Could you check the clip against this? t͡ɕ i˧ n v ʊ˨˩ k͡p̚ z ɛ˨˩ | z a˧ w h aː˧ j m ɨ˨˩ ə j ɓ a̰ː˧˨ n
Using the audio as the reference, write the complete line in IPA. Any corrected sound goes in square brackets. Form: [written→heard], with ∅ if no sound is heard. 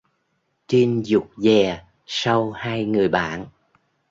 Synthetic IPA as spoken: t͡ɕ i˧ n [v→z] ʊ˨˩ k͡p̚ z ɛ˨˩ | [z→s] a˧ w h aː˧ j [m→ŋ] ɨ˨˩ ə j ɓ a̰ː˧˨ n